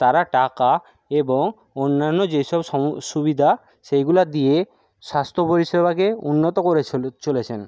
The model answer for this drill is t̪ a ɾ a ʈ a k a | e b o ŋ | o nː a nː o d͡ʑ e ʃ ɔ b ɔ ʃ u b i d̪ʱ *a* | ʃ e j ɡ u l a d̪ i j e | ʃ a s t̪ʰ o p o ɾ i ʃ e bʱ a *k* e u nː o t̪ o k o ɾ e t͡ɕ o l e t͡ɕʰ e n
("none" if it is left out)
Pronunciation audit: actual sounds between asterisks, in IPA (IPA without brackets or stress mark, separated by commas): a, k